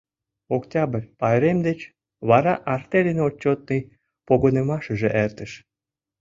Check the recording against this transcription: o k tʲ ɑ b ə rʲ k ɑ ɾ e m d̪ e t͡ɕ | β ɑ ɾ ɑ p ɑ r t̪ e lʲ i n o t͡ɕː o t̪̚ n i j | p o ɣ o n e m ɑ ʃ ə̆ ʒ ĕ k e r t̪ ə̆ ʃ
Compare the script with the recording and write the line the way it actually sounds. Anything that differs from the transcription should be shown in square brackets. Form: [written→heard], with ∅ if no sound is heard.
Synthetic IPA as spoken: o k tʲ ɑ b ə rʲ [k→p] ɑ ɾ e m d̪ e t͡ɕ | β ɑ ɾ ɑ [p→ʔ] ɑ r t̪ e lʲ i n o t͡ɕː o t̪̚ n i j | p o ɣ o n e m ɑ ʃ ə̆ ʒ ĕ [k→ʔ] e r t̪ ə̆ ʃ